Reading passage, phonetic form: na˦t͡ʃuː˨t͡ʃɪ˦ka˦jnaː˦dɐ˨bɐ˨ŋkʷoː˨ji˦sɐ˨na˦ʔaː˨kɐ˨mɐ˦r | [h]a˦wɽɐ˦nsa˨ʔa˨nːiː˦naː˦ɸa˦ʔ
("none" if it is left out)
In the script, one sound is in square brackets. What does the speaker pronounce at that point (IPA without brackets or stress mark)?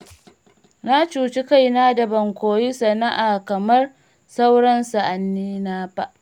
s